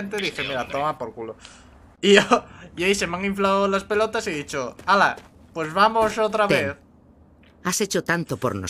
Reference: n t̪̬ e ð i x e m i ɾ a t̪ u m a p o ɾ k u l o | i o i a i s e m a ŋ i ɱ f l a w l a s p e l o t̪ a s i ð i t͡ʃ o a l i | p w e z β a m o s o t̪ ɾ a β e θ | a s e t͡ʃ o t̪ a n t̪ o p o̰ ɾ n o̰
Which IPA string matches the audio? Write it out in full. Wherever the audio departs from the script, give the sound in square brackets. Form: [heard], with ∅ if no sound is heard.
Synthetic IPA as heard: n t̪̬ e ð i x e m i ɾ a t̪ [o] m a p o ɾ k u l o | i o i a i s e m a ŋ i ɱ f l a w l a s p e l o t̪ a s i ð i t͡ʃ o a l [a] | p w e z β a m o s o t̪ ɾ a β e θ | a s e t͡ʃ o t̪ a n t̪ o p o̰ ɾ n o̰